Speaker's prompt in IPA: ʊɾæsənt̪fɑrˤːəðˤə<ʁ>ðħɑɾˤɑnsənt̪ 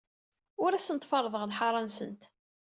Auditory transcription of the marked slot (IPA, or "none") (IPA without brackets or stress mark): ʁ